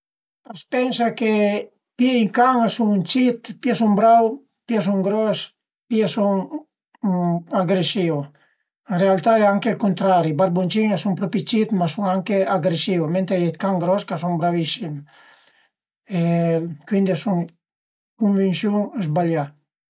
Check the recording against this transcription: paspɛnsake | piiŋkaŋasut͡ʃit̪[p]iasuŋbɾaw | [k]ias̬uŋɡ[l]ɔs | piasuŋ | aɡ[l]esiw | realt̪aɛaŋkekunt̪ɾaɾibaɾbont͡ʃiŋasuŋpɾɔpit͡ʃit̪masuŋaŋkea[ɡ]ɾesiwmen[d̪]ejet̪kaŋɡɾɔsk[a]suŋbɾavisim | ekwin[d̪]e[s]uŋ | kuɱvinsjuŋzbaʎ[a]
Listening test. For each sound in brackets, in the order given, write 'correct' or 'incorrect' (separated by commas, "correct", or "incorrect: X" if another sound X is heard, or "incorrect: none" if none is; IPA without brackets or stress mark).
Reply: correct, incorrect: p, incorrect: ɾ, incorrect: ɾ, correct, incorrect: t̪, correct, correct, correct, correct